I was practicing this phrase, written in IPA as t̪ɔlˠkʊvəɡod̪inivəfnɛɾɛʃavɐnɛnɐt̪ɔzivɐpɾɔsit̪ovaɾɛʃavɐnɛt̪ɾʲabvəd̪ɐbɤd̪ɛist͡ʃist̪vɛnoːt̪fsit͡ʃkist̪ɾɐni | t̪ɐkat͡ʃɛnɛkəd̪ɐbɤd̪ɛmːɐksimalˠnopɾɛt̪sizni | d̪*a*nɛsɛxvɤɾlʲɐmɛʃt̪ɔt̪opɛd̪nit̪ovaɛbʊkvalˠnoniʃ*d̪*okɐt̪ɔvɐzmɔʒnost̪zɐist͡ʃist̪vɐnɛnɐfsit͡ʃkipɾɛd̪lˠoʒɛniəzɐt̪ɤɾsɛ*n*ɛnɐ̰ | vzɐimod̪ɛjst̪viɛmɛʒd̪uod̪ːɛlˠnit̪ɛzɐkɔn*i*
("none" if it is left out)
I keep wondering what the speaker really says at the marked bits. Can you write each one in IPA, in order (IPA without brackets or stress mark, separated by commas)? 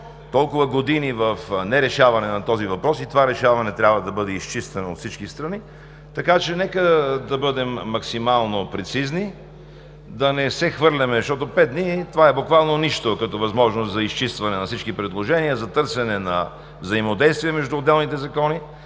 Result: ɐ, t̪, n, i